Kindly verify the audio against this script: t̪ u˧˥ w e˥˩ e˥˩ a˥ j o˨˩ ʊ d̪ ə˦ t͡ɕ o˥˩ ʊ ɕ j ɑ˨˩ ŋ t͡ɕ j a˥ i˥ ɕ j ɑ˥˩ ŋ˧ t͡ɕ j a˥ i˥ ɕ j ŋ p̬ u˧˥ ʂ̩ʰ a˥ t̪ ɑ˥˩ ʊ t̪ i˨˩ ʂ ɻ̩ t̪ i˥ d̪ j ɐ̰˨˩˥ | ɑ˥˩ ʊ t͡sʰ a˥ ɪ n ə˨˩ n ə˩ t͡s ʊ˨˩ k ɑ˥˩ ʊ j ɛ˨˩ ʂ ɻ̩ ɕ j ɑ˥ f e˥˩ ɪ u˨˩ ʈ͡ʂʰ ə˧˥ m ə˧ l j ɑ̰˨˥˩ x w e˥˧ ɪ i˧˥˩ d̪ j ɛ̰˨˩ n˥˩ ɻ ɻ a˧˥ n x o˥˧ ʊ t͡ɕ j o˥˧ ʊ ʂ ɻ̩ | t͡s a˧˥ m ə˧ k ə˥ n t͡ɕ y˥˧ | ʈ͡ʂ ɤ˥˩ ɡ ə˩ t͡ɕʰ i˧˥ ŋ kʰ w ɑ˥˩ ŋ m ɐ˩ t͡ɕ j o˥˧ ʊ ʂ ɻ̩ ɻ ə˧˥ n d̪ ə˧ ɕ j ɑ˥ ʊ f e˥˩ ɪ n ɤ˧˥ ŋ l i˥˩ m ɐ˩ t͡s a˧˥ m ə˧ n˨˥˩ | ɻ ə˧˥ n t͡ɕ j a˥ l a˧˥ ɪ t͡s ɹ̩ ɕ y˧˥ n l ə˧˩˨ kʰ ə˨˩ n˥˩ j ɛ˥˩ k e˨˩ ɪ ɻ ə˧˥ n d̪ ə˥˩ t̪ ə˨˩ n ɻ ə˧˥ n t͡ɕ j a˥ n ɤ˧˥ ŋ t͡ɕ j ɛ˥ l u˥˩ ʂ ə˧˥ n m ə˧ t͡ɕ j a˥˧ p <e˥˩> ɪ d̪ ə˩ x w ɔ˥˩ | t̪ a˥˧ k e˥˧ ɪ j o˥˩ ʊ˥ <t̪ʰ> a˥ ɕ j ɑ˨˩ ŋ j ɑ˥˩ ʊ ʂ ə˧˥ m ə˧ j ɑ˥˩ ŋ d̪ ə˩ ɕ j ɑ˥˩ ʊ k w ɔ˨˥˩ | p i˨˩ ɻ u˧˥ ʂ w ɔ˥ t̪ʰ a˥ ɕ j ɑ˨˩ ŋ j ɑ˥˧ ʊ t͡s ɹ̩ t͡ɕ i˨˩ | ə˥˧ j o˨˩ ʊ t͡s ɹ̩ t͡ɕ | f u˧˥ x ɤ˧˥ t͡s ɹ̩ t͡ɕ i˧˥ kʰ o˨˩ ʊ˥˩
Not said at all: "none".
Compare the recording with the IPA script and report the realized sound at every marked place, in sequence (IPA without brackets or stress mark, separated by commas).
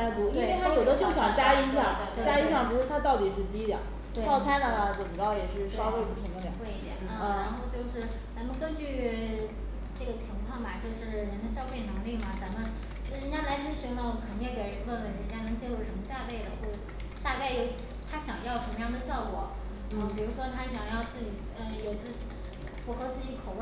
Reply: e˥˩, t̪ʰ